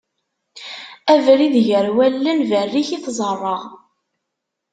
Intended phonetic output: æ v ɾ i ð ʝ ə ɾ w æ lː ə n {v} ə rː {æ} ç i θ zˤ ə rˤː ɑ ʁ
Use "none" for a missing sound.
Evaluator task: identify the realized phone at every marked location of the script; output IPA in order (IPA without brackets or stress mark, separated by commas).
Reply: v, i